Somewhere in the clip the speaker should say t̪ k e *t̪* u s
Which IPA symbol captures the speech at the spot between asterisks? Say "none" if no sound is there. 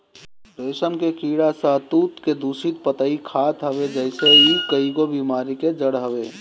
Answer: d̪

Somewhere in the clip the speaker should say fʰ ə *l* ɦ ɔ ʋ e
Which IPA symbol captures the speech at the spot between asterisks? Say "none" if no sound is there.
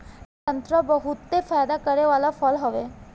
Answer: l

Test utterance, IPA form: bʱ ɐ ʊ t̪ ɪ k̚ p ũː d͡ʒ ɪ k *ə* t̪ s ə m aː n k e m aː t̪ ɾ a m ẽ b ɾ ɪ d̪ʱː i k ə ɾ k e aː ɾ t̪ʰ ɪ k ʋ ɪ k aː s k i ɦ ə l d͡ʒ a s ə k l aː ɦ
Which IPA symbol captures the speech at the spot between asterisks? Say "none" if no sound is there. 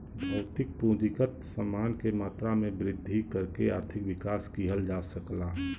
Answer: ə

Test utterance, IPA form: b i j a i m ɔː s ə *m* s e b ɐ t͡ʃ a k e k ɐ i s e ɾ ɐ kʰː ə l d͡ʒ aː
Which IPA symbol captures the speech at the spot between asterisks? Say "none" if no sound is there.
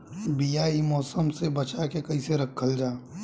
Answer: m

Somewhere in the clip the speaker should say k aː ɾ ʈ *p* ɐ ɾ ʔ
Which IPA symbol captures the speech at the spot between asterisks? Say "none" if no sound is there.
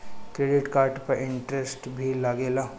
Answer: p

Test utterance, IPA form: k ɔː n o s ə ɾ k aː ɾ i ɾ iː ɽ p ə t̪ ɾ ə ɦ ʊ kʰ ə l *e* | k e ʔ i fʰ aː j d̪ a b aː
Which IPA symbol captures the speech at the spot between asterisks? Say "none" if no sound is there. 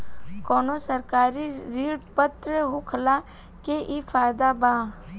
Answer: a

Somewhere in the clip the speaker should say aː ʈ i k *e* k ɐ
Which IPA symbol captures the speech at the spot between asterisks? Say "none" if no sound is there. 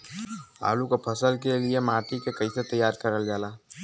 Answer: e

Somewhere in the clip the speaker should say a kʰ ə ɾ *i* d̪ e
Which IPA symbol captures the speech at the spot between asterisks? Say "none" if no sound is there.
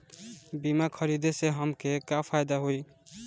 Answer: i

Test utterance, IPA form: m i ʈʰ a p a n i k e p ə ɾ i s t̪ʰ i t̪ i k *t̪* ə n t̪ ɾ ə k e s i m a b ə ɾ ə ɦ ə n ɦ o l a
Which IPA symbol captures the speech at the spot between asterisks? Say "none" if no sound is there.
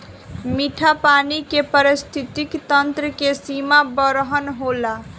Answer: t̪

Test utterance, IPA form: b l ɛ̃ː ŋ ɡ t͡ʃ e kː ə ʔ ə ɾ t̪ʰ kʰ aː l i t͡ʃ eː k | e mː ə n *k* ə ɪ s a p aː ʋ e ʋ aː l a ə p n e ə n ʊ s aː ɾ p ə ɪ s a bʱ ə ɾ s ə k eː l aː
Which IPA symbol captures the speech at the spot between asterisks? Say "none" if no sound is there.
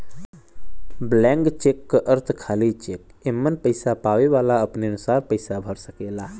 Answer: p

